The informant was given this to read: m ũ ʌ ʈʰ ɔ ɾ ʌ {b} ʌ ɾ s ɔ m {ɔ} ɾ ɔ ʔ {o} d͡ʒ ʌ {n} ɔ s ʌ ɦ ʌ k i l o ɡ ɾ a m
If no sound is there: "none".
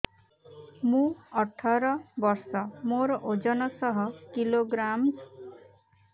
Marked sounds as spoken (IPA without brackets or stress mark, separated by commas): b, o, o, n